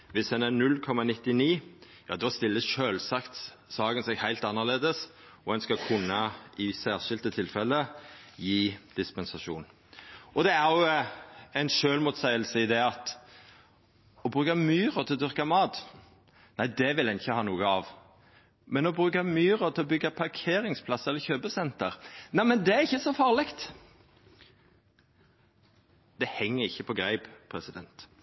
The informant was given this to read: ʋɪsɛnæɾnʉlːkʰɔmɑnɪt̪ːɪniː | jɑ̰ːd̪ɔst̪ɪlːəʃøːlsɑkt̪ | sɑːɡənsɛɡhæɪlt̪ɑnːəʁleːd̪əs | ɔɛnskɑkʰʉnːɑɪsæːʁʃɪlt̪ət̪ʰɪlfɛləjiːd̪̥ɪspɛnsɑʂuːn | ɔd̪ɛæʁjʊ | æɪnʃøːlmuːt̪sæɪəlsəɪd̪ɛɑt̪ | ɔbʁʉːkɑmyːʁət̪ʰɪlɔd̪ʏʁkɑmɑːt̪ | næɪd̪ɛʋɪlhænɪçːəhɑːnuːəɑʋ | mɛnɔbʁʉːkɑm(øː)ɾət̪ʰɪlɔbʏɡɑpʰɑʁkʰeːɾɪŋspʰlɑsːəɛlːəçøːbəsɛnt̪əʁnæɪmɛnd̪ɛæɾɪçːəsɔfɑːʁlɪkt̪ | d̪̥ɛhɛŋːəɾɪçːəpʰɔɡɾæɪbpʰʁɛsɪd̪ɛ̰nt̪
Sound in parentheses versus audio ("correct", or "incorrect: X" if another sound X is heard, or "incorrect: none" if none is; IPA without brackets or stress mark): incorrect: yː